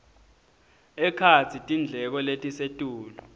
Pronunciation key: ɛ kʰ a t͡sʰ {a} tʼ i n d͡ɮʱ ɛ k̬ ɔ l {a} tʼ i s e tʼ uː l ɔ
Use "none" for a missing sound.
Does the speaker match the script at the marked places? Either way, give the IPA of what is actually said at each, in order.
i, e

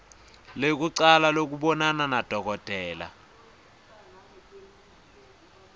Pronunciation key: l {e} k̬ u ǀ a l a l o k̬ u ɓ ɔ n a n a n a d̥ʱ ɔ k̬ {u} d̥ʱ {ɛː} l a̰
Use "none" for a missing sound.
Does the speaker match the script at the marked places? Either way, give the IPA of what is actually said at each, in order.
e, ɔ, ɛː

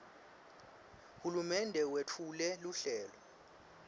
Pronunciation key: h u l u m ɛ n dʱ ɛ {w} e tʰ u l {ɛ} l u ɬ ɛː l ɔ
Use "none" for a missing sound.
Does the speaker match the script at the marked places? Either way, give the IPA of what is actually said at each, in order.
w, ɛ

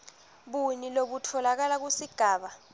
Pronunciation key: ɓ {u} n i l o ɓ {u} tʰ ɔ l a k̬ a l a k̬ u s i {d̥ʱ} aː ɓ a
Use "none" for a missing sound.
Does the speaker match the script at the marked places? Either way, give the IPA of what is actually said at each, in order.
u, u, ɡ̥ʱ

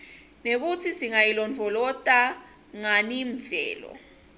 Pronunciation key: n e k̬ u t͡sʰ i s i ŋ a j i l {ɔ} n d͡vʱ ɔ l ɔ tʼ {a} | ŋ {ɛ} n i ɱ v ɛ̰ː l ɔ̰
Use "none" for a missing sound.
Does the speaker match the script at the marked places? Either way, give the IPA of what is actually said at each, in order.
ɔ, a, a

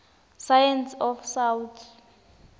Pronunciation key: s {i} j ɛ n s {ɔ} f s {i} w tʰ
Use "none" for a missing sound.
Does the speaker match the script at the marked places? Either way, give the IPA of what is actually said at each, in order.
a, ɔ, a

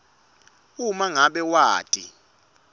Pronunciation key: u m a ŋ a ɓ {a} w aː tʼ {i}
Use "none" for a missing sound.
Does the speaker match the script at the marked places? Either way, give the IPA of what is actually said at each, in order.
ɛ, i

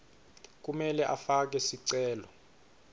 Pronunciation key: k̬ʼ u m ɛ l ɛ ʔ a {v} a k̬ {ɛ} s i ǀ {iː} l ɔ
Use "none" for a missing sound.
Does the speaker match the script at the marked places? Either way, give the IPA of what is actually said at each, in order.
f, ɛ, ɛː

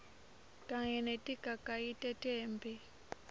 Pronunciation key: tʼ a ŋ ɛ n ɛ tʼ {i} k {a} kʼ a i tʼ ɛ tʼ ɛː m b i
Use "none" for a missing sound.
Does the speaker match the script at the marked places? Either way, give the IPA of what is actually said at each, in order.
i, a

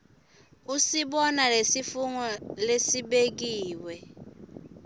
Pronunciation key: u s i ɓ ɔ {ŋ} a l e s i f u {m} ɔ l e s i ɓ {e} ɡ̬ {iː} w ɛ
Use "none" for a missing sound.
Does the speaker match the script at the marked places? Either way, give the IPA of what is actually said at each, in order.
n, ŋ, e, iː

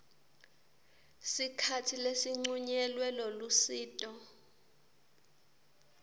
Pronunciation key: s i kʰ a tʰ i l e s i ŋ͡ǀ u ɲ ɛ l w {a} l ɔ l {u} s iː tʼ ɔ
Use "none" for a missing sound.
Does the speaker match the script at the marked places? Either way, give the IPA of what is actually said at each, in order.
ɛ, u

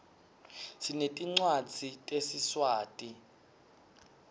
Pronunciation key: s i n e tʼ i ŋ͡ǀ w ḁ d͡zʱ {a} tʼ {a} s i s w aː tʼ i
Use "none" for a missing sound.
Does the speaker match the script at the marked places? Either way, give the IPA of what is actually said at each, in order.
i, e

